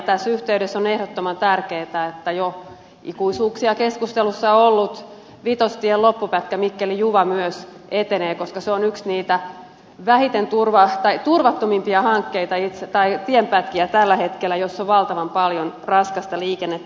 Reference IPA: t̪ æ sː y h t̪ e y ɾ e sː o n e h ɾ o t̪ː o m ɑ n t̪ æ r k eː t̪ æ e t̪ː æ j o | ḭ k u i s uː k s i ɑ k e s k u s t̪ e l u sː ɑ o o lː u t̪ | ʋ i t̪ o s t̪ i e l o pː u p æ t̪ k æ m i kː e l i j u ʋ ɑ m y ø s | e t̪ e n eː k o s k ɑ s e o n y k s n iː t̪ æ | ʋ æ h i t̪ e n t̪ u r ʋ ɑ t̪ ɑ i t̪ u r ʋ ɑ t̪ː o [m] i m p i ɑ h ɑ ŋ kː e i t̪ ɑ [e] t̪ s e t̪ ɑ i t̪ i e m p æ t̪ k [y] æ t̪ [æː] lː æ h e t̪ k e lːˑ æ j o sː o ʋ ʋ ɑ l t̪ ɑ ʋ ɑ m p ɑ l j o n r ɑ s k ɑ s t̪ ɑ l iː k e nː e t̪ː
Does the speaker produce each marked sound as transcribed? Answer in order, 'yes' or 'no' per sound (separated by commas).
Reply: yes, no, no, no